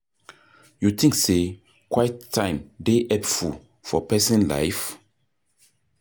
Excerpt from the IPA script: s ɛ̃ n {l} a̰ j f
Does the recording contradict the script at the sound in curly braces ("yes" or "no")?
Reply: no